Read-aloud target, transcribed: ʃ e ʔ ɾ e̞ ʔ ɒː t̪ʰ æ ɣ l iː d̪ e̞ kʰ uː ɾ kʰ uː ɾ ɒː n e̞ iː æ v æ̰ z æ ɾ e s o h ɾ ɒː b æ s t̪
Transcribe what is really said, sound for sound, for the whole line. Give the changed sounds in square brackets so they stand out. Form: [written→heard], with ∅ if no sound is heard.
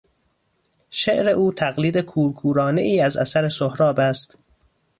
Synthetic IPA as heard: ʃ e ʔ ɾ e̞ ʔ [ɒː→uː] t̪ʰ æ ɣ l iː d̪ e̞ kʰ uː ɾ kʰ uː ɾ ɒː n e̞ iː æ [v→z] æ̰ [z→s] æ ɾ e s o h ɾ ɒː b æ s t̪